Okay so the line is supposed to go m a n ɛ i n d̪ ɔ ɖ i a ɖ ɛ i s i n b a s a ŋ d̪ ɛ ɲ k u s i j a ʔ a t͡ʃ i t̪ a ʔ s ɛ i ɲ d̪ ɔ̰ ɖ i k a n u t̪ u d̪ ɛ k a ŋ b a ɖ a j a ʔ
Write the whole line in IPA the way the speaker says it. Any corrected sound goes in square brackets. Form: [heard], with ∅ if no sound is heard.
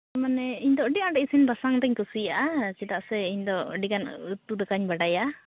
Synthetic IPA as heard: m a n ɛ i [ɲ] d̪ ɔ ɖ i a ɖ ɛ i s i n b a s a ŋ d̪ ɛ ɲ k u s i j a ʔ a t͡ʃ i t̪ a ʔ s ɛ i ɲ d̪ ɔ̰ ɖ i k a n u t̪ u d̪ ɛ k a [ɲ] b a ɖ a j a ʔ